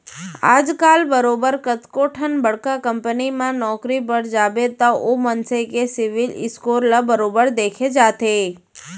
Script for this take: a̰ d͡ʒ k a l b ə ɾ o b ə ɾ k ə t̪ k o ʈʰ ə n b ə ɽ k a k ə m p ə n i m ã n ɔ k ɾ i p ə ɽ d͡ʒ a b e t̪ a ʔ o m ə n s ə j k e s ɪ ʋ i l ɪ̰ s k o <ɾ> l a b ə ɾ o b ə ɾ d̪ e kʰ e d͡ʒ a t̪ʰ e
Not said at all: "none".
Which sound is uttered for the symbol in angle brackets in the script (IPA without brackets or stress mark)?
ɾ